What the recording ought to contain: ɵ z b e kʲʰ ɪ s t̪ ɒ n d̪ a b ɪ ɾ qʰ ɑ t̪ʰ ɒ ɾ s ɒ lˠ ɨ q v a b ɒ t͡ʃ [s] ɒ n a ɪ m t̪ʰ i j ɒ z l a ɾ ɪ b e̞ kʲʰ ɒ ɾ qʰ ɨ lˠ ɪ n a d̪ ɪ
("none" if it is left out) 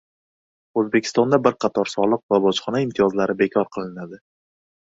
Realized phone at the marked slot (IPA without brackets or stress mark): χ